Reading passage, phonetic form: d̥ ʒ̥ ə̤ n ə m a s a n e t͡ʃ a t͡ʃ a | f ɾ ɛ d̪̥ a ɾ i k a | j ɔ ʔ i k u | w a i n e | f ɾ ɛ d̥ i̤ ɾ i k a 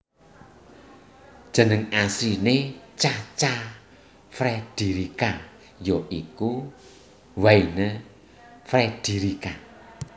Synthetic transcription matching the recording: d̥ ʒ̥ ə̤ n ə ŋ a s i n e t͡ʃ a t͡ʃ a | f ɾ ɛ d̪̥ i ɾ i k a | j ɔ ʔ i k u | w a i n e | f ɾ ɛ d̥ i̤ ɾ i k a

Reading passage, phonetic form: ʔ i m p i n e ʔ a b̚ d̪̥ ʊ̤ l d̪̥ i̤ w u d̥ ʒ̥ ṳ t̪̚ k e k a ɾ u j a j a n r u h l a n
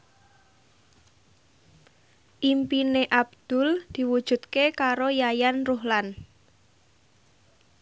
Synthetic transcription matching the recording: ʔ i m p i n e ʔ a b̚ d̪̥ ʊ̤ l d̪̥ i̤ w u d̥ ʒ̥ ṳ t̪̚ k e k a ɾ o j a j a n r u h l a n

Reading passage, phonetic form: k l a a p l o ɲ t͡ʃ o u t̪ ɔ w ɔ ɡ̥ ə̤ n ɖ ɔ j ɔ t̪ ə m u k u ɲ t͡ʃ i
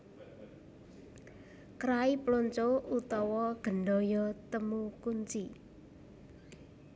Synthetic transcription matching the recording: k ɾ a i p l o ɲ t͡ʃ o u t̪ ɔ w ɔ ɡ̥ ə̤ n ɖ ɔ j ɔ t̪ ə m u k u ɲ t͡ʃ i

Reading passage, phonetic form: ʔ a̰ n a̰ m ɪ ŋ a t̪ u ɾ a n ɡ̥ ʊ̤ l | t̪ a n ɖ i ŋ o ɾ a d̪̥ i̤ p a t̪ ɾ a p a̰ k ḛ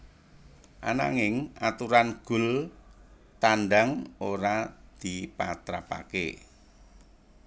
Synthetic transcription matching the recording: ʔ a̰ n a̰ ŋ ɪ ŋ a t̪ u ɾ a n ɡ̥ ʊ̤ l | t̪ a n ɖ a ŋ o ɾ a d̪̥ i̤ p a t̪ ɾ a p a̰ k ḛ

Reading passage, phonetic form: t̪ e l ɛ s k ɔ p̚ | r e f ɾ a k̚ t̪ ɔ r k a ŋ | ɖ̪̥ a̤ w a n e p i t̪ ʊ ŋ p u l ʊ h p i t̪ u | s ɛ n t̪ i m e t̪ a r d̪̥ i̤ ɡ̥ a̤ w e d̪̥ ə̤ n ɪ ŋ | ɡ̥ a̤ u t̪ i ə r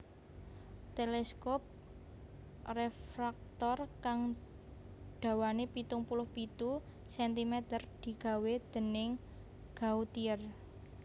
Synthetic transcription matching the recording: t̪ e l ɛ s k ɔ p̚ | r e f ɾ a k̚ t̪ ɔ r k a ŋ | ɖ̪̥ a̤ w a n e p i t̪ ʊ ŋ p u l ʊ h p i t̪ u | s ɛ n t̪ i m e t̪ ə r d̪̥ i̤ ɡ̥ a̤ w e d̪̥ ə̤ n ɪ ŋ | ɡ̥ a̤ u t̪ i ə r

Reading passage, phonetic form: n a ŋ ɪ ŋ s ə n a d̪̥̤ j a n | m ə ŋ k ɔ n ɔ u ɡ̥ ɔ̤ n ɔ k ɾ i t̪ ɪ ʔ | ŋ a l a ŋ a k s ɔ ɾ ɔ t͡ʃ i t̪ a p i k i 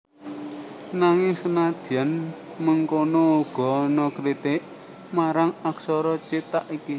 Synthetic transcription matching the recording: n a ŋ ɪ ŋ s ə n a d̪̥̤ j a n | m ə ŋ k o n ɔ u ɡ̥ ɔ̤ n ɔ k ɾ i t̪ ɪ ʔ | m a ɾ a ŋ a k s ɔ ɾ ɔ t͡ʃ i t̪ a ʔ i k i

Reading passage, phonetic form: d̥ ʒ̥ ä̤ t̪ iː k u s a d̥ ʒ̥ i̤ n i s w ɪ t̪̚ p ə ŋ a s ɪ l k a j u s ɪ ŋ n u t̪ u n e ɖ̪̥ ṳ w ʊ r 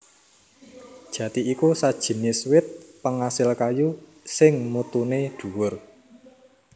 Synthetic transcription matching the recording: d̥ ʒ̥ ä̤ t̪ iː k u s a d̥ ʒ̥ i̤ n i s w ɪ t̪̚ p ə ŋ a s ɪ l k a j u s ɪ ŋ m u t̪ u n e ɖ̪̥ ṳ w ʊ r

